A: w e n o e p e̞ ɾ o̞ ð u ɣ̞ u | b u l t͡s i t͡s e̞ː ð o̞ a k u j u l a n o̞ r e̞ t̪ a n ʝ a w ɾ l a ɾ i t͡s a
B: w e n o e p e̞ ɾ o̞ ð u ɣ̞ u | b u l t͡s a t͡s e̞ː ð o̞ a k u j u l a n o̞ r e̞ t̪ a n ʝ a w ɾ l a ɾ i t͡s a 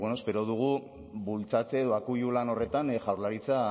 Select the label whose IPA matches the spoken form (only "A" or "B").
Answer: B